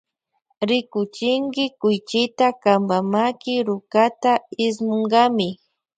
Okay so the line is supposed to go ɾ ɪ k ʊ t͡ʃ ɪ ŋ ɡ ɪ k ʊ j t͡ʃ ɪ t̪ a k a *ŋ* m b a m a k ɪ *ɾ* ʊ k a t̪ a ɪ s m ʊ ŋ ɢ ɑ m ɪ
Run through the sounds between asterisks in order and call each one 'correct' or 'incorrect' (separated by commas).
incorrect, correct